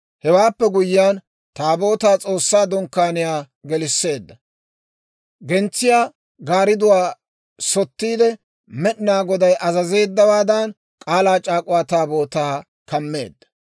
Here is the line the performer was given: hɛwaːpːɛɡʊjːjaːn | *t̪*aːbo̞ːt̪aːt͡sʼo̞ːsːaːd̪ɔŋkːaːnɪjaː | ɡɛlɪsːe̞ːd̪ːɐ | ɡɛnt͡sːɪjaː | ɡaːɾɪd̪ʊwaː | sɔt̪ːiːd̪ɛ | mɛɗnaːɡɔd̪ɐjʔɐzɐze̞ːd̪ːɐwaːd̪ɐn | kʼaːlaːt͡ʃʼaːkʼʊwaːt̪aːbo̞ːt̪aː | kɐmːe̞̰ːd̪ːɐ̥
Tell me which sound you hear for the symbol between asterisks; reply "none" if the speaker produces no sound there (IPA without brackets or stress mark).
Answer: t̪